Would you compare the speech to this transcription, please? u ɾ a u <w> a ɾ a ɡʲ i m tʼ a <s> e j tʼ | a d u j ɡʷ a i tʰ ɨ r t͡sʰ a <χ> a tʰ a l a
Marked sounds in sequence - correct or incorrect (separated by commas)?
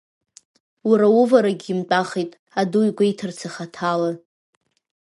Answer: incorrect, incorrect, correct